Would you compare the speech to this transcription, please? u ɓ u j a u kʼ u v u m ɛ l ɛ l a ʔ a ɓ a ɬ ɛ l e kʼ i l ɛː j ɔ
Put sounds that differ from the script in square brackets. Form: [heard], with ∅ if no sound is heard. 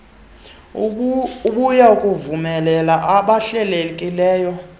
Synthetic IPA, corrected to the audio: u ɓ u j a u kʼ u v u m ɛ l ɛ l a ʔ a ɓ a ɬ ɛ l e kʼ i l ɛː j ɔ